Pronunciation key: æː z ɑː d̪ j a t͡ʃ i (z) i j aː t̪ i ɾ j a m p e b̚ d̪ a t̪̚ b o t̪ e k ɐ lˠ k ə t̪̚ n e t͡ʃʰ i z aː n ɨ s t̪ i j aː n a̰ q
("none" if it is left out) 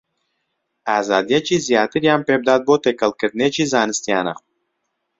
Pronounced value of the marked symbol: z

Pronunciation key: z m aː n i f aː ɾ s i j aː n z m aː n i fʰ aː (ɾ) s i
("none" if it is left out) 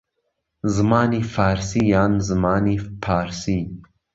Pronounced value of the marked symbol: ɾ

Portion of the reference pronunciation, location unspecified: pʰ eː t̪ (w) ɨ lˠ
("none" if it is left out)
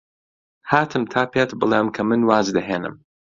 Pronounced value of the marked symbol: b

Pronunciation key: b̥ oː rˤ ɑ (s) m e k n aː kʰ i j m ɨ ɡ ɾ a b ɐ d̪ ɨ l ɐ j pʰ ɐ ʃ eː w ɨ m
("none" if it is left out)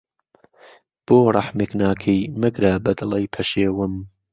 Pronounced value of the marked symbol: ħ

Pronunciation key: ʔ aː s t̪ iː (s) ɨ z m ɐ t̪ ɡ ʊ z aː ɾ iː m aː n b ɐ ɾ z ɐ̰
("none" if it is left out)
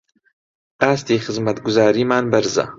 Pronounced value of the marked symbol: x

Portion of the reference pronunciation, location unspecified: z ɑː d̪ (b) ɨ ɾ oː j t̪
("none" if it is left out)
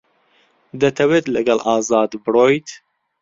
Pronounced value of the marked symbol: b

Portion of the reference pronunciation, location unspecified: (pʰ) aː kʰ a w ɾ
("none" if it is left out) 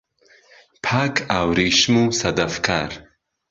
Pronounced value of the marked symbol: pʰ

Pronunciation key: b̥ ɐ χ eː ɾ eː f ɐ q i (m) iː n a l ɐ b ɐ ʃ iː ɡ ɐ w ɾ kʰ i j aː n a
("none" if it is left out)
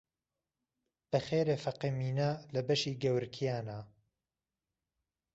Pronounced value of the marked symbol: m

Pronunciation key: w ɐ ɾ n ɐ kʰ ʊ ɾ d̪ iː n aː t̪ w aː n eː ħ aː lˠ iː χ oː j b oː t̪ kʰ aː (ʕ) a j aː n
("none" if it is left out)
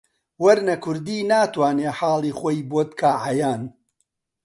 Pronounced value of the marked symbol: ʕ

